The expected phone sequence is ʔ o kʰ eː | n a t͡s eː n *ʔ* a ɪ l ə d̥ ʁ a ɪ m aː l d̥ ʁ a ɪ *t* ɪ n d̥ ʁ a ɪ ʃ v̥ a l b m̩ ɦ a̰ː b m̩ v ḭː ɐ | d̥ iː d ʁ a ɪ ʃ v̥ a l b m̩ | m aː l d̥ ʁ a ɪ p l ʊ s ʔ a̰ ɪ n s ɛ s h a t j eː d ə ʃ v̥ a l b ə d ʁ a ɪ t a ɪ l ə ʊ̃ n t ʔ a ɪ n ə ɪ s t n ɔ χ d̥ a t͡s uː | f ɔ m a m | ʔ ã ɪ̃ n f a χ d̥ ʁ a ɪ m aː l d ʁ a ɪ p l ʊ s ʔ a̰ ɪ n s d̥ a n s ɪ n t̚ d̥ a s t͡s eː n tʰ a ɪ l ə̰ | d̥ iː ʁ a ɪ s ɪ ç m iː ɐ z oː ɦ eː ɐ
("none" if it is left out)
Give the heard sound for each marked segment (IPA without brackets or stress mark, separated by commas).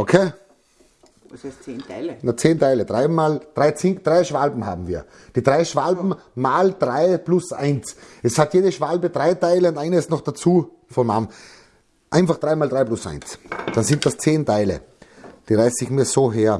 t, t͡s